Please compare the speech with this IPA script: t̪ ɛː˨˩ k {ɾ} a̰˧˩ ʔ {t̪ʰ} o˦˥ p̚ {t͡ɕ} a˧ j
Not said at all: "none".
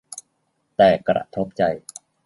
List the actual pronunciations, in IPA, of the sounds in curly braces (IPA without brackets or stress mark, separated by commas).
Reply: ɾ, t̪ʰ, t͡ɕ